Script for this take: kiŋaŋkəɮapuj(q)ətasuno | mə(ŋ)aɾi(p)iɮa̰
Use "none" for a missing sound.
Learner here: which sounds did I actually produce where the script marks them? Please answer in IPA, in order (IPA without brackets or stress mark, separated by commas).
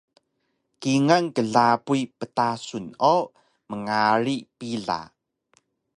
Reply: p, ŋ, p